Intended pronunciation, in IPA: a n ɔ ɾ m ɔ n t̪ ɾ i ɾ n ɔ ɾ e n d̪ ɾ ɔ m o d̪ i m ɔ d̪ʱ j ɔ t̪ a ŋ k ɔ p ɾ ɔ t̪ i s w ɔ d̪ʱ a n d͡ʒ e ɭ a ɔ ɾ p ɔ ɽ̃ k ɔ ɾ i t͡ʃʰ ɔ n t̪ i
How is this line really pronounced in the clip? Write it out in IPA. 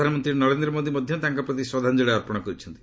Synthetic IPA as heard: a n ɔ m ɔ n t̪ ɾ i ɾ n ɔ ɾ e n d̪ ɾ ɔ m o d̪ i m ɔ d̪ʱ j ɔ t̪ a ŋ k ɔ p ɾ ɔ t̪ i s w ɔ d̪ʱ a n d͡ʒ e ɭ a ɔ ɾ p ɔ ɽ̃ k ɔ ɾ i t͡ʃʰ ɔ n t̪ i